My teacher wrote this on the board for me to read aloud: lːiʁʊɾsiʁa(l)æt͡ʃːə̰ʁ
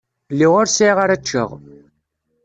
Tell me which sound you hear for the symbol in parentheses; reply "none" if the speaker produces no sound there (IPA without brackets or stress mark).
ɾ